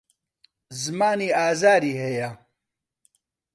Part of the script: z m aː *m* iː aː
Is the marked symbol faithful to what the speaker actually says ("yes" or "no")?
no